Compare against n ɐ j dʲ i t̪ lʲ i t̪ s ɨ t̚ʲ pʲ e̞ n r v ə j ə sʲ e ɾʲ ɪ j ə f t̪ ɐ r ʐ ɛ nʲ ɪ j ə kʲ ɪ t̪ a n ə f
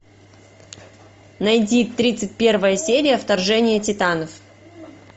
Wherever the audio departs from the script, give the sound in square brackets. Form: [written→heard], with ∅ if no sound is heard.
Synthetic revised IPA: n ɐ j dʲ i t̪ [lʲ→ɾʲ] i t̪ s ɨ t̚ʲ pʲ e̞ [n→∅] r v ə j ə sʲ e ɾʲ ɪ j ə f t̪ ɐ r ʐ ɛ nʲ ɪ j ə [kʲ→tʲ] ɪ t̪ a n ə f

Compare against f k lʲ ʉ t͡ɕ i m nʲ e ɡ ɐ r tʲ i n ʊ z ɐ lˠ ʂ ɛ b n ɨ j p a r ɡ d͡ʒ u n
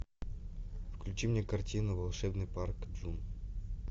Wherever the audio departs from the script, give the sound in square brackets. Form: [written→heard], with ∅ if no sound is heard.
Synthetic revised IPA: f k lʲ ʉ t͡ɕ i m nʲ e [ɡ→k] ɐ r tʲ i n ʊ [z→v] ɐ lˠ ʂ ɛ b n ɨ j p a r [ɡ→k] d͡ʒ u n

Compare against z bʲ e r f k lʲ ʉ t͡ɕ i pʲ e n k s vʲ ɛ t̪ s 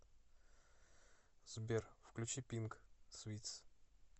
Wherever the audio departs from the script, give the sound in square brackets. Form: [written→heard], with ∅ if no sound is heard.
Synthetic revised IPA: z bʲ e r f k lʲ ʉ t͡ɕ i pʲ [e→i] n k s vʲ [ɛ→i] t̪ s

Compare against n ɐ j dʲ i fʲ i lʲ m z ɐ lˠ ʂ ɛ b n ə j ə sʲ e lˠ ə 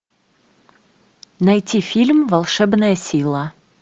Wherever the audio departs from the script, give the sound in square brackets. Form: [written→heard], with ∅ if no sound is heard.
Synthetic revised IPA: n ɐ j [dʲ→tʲ] i fʲ i lʲ m [z→v] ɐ lˠ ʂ ɛ b n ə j ə sʲ [e→i] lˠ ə

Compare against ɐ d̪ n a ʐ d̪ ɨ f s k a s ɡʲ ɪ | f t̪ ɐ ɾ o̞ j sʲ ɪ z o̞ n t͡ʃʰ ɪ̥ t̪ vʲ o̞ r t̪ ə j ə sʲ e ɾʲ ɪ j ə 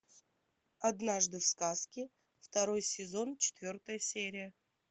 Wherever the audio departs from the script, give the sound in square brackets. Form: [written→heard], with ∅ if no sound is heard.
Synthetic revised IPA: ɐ d̪ n a ʐ d̪ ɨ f s k a s [ɡʲ→kʲ] ɪ | f t̪ ɐ ɾ o̞ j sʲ ɪ z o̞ n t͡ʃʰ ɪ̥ t̪ vʲ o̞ r t̪ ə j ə sʲ e ɾʲ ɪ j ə

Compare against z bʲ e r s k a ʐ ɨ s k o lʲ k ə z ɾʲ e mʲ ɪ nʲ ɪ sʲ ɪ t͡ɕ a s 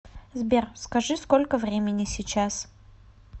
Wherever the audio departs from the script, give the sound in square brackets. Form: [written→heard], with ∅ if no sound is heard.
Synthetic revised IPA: z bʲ e r s k [a→ɐ] ʐ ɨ s k o lʲ k ə [z→v] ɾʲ e mʲ ɪ nʲ ɪ sʲ ɪ t͡ɕ a s

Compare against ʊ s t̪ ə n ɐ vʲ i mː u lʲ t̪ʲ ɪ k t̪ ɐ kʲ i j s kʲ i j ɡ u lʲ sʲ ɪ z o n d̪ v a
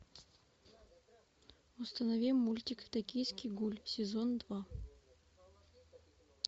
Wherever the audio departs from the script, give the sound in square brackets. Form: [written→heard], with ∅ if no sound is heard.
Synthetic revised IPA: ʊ s t̪ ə n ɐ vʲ i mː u lʲ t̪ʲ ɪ k t̪ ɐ kʲ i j s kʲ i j ɡ u lʲ sʲ ɪ z o n d̪ v a

